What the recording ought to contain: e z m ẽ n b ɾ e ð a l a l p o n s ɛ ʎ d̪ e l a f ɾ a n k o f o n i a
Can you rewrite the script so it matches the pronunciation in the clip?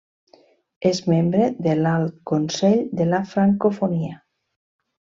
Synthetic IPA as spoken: e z m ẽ m b ɾ e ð e l a l k o n s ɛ ʎ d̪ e l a f ɾ a ŋ k o f o n i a

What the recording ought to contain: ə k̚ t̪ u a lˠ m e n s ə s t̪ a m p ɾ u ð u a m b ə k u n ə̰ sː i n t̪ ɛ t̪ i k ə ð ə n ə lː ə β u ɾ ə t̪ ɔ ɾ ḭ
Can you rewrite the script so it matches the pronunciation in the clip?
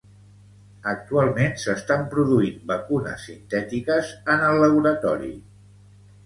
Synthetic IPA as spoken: ə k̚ t̪ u a lˠ m e n s ə s t̪ a m p ɾ u ð u i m b ə k u n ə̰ sː i n t̪ ɛ t̪ i k ə z ə n ə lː ə β u ɾ ə t̪ ɔ ɾ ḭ

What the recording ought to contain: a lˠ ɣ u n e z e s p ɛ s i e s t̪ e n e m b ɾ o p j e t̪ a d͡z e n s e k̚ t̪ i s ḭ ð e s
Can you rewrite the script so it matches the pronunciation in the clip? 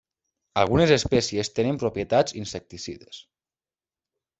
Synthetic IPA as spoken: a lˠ ɣ u n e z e s p ɛ s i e s t̪ e n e m p ɾ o p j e t̪ a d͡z i n s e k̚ t̪ i s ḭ ð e s

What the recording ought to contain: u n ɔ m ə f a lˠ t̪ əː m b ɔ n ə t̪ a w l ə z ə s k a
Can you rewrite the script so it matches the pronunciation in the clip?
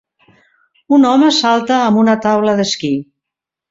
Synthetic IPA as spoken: u n ɔ m ə s a lˠ t̪ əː m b u n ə t̪ a w l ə ð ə s k i

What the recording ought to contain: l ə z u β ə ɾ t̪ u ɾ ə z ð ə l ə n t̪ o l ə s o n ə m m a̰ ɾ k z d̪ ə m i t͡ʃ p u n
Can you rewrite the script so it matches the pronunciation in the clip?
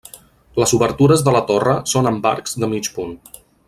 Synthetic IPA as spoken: l ə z u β ə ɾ t̪ u ɾ ə z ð ə l ə t̪ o r ə s o n ə m b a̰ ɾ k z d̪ ə m i t͡ʃ p u n

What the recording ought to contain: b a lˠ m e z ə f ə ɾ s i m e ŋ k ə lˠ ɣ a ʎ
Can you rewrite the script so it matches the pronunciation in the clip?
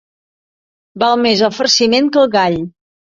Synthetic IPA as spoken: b a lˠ m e z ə f ə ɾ s i m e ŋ k ə lˠ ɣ a ʎ

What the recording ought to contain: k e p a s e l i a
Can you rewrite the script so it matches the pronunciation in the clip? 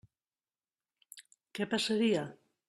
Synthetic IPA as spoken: k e p a s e ɾ i a

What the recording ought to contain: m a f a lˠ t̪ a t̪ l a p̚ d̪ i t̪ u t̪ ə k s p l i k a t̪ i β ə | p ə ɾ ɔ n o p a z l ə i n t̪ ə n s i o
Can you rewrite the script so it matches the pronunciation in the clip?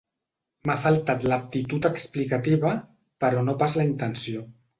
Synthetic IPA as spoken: m a f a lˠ t̪ a t̪ l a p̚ t̪ i t̪ u t̪ ə k s p l i k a t̪ i β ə | p ə ɾ ɔ n o p a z l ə i n t̪ ə n s i o

